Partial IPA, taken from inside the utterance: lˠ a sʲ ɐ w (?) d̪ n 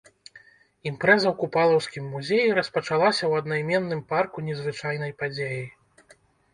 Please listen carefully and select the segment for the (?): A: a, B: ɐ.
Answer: B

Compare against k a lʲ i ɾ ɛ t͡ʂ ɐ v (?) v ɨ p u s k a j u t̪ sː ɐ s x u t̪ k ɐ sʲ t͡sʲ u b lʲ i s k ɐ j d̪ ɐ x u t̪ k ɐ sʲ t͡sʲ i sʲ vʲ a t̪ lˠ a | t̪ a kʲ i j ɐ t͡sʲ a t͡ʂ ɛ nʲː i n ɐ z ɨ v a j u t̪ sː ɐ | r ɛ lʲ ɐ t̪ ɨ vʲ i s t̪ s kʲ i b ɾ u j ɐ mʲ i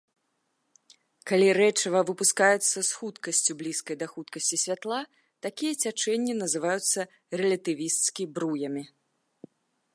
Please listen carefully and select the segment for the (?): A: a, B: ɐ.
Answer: B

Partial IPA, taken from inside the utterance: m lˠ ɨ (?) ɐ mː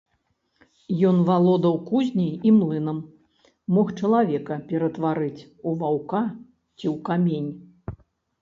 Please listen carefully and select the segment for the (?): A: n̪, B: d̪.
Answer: A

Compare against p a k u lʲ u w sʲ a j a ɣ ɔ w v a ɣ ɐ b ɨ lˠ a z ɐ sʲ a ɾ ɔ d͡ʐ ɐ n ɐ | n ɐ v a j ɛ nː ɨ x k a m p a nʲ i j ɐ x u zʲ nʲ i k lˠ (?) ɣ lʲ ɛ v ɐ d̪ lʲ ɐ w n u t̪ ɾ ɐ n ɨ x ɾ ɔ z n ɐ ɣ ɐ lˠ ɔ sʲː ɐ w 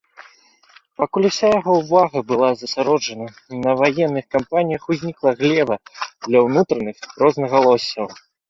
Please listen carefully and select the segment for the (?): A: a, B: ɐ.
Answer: B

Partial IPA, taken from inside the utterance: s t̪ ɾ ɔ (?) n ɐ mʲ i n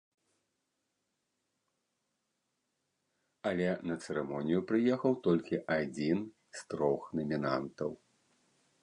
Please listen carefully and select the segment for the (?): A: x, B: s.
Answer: A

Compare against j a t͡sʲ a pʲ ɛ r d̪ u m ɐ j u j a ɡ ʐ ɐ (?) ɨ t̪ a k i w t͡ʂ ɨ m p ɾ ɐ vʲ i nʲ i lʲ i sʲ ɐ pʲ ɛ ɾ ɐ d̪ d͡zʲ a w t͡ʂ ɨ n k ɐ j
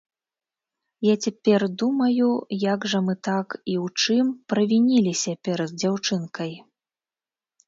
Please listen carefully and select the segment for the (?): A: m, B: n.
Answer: A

